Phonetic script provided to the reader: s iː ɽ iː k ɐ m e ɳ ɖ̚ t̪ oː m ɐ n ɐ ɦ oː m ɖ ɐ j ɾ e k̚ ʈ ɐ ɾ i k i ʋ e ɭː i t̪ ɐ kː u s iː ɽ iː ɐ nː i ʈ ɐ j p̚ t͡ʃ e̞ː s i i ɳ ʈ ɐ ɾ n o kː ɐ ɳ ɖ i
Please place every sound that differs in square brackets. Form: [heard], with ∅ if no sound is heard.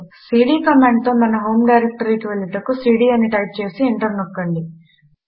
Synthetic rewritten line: s iː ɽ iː k ɐ m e ɳ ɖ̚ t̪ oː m ɐ n ɐ ɦ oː m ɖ ɐ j ɾ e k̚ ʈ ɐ ɾ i k i ʋ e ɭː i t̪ ɐ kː u s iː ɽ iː ɐ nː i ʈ ɐ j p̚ t͡ʃ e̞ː s i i ɳ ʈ ɐ ɾ n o kː ɐ ɳ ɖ i

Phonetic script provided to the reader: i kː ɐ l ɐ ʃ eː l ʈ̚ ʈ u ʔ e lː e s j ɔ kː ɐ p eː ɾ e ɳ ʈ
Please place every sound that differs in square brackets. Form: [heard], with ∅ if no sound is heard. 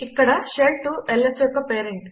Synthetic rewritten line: i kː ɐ [ɽ] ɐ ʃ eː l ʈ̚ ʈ u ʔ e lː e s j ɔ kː ɐ p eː ɾ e ɳ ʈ

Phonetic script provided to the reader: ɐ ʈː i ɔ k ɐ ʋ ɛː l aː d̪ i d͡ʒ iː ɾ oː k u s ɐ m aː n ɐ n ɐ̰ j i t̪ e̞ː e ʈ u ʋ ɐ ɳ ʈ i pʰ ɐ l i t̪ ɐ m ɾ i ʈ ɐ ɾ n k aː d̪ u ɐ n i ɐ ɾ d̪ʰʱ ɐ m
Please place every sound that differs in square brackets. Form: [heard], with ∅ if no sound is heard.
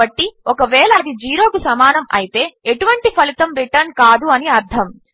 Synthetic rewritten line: ɐ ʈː i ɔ k ɐ ʋ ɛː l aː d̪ i d͡ʒ iː ɾ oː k u s ɐ m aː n ɐ [m] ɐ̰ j i t̪ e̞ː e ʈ u ʋ ɐ ɳ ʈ i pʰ ɐ l i t̪ ɐ m ɾ i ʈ ɐ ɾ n k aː d̪ u ɐ n i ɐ ɾ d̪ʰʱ ɐ m

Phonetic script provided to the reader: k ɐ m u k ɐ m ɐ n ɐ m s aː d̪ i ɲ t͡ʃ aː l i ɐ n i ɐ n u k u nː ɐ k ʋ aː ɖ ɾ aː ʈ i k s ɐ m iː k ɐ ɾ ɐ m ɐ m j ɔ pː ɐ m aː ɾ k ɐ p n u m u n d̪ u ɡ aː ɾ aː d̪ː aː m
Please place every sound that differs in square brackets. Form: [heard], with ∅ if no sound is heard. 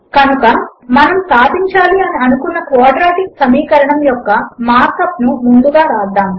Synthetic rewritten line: k ɐ [n] u k ɐ m ɐ n ɐ m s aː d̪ i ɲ t͡ʃ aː l i ɐ n i ɐ n u k u nː ɐ k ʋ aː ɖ ɾ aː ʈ i k s ɐ m iː k ɐ ɾ ɐ [ɳ] ɐ m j ɔ [kː] ɐ m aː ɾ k ɐ p n u m u n d̪ u ɡ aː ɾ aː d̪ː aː m

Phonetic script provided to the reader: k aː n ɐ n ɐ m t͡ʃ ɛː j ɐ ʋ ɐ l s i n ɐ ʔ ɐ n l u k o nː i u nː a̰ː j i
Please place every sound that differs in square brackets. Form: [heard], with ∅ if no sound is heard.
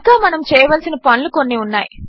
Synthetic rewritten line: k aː [m] ɐ n ɐ m t͡ʃ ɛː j ɐ ʋ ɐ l s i n ɐ [p] ɐ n l u k o nː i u nː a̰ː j i

